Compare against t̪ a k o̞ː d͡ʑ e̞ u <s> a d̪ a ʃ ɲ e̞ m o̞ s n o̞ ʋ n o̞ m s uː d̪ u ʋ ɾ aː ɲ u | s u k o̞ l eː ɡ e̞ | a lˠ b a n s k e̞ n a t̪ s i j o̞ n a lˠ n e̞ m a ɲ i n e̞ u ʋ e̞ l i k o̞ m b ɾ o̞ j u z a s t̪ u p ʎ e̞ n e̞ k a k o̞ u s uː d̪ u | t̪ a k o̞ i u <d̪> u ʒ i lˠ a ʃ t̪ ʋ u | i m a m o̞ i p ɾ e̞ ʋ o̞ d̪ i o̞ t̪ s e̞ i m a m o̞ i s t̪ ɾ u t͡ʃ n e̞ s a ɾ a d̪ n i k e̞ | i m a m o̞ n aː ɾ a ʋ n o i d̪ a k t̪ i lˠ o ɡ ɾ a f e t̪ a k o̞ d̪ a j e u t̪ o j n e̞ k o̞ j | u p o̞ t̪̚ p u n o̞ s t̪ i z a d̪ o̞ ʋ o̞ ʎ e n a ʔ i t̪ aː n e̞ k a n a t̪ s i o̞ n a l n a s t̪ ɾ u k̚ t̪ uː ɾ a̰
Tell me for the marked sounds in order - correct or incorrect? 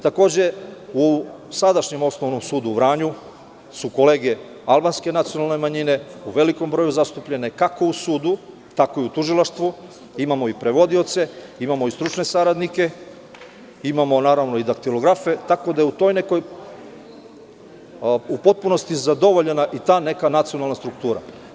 correct, incorrect: t̪

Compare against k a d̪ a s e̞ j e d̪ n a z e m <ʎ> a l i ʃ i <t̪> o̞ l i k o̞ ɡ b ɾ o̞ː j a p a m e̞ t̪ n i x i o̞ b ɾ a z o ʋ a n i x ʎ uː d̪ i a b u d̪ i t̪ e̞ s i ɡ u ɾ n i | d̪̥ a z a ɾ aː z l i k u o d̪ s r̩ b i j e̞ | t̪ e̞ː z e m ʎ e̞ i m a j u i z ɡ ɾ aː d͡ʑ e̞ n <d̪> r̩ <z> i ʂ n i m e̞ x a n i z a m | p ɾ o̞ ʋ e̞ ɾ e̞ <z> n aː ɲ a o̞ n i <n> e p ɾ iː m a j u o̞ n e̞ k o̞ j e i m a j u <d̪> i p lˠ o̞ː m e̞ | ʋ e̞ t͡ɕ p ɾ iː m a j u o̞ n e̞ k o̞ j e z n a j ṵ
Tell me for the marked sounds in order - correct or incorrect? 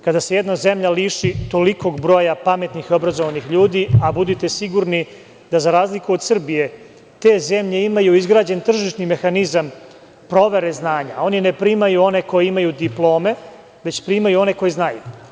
correct, correct, incorrect: t̪, incorrect: ʒ, correct, correct, correct

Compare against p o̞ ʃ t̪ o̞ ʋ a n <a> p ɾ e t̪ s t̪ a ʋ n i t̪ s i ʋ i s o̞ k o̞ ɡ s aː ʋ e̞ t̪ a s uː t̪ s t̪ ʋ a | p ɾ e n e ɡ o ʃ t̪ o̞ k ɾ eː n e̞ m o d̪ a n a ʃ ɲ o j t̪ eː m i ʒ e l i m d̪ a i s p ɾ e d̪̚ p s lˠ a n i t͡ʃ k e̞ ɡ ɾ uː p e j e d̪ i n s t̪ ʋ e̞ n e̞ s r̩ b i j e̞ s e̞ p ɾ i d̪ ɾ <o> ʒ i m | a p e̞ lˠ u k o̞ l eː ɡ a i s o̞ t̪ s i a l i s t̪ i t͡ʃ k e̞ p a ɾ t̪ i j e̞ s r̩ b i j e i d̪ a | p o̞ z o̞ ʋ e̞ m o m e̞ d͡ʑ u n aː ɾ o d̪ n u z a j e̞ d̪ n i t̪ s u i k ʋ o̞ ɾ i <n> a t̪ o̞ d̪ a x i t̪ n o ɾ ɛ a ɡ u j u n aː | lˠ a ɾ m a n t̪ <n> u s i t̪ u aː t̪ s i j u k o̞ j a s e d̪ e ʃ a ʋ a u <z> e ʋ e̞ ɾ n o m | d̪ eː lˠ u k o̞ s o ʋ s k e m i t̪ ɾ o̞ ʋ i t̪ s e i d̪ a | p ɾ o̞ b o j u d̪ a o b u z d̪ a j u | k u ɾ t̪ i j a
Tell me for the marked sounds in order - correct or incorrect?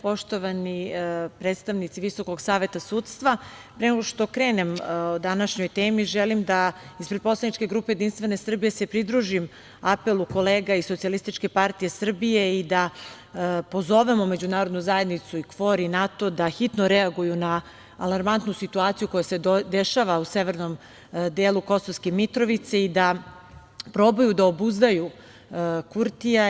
incorrect: i, incorrect: u, correct, correct, incorrect: s

